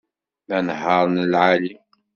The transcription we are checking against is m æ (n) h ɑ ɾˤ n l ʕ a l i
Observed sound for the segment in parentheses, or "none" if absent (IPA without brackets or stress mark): n